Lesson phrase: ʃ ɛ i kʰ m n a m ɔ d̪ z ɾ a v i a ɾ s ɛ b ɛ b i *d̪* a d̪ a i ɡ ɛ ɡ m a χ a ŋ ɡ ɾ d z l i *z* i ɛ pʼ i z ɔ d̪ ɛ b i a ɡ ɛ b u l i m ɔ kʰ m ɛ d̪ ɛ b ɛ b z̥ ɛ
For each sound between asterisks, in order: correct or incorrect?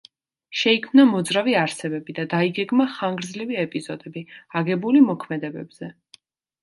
correct, incorrect: v

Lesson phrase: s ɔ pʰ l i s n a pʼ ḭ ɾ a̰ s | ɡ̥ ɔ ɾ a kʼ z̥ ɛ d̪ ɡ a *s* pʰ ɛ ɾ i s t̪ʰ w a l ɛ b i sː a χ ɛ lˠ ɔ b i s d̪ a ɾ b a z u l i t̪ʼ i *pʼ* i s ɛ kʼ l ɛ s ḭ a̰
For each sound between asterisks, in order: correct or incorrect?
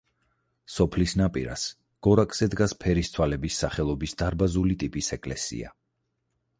correct, correct

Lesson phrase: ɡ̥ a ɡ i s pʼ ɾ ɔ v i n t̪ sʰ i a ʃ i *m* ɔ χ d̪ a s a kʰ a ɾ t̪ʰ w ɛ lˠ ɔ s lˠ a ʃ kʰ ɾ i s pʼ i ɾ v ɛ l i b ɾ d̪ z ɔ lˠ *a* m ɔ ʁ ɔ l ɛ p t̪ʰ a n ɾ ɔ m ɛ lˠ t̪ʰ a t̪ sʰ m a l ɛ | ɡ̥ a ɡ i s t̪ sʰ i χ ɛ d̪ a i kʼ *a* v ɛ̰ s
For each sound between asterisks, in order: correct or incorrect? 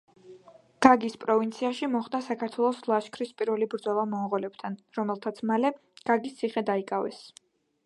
correct, correct, correct

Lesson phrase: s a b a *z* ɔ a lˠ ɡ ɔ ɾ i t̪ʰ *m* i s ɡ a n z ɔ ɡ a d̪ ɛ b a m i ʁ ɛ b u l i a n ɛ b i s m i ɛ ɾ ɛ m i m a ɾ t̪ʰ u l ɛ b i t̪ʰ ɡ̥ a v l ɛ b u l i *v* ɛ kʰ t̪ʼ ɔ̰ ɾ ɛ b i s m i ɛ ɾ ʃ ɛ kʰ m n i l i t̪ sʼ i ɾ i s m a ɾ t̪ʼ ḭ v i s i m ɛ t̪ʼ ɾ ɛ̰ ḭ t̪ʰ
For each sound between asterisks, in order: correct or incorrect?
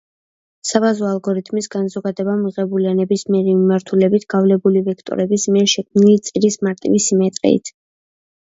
correct, correct, correct

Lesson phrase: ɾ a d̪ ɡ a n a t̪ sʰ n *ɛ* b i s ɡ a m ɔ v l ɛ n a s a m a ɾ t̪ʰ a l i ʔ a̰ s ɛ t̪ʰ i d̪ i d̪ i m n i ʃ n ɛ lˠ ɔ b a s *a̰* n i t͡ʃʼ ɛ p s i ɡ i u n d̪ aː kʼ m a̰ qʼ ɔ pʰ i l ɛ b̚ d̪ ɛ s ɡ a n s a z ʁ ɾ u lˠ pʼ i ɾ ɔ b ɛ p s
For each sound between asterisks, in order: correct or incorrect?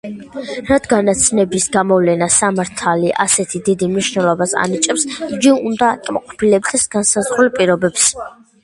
correct, correct

